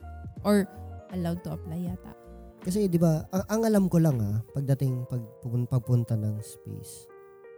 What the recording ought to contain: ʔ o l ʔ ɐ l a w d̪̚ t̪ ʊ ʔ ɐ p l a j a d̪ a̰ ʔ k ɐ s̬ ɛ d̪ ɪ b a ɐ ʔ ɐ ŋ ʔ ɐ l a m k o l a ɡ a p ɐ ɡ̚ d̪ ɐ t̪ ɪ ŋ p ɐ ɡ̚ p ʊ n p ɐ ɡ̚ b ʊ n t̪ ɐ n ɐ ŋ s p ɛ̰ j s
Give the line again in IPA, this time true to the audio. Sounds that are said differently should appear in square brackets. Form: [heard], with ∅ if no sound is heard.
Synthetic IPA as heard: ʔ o [ɹ] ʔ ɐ l a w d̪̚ t̪ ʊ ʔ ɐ p l a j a [t̪] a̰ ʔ k ɐ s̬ ɛ d̪ ɪ b a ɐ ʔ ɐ ŋ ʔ ɐ l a m k o l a [ŋ] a p ɐ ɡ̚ d̪ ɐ t̪ ɪ ŋ p ɐ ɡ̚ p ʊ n p ɐ ɡ̚ [p] ʊ n t̪ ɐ n ɐ ŋ s p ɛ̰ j s